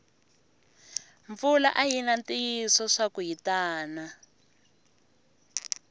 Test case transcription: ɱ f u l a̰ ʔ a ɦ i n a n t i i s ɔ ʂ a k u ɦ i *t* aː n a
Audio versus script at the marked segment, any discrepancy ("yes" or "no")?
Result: no